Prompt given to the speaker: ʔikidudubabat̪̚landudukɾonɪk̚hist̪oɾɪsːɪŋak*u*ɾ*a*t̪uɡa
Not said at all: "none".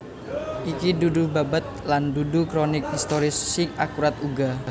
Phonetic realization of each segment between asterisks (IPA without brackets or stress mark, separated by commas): u, a